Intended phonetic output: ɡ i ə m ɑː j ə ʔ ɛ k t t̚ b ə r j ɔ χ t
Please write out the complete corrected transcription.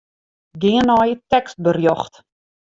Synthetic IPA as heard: ɡ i ə n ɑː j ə t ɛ k s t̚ b ə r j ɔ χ t

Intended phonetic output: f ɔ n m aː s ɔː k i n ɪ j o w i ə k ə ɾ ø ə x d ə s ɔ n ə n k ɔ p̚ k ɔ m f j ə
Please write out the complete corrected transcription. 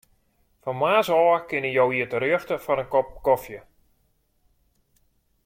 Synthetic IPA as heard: f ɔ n m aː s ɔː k ɪ n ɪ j o w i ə t ə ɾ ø ə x t ə f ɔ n ə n k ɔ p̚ k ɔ f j ə

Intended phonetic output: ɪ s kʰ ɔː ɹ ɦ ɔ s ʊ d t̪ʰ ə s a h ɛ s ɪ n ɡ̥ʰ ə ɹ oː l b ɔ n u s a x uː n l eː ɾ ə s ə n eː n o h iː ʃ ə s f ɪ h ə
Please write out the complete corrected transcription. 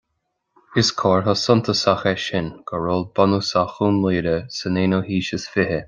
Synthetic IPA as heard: ɪ s kʰ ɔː ɹ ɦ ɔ s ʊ n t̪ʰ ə s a x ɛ ʃ ɪ n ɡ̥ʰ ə ɹ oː l b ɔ n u s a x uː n l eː ɾ ə s ə n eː n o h iː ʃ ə s f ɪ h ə

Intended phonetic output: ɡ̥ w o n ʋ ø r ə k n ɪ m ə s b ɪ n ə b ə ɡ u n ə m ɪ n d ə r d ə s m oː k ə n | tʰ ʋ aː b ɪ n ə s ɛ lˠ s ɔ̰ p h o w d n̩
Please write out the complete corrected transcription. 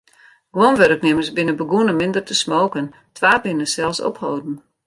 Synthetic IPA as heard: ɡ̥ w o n ʋ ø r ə k n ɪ m ə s b ɪ n ə b ə ɡ u n ə m ɪ n d ə r t ə s m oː k ə n | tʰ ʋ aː b ɪ n ə s ɛ lˠ s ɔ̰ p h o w d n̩

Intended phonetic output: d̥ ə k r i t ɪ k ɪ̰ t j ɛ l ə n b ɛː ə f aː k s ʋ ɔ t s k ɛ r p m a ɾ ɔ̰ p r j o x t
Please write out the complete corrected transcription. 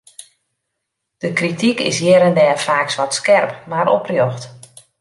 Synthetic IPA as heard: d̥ ə k r i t i k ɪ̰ s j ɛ ɾ ə n d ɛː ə f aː k s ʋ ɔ t s k ɛ r p m a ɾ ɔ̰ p r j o x t

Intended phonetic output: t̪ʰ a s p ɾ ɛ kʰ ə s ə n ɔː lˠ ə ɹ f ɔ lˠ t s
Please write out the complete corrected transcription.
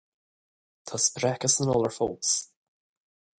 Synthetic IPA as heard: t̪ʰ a s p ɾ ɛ k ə s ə n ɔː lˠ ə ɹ f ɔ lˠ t s

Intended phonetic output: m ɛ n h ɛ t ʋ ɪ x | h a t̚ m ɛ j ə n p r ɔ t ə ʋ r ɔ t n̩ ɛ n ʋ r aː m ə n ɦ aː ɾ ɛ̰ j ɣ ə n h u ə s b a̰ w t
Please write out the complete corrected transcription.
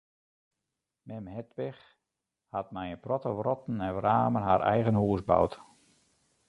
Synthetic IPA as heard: m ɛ m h ɛ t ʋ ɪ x | h a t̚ m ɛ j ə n p r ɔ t ə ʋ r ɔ t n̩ ɛ n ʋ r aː m ə n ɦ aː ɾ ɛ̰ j ɣ ə n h u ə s b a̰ w t

